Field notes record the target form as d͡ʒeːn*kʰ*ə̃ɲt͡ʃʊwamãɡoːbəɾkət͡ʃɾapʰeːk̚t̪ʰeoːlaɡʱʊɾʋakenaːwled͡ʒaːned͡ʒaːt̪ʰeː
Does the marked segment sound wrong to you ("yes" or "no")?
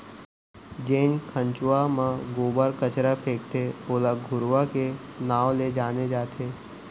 no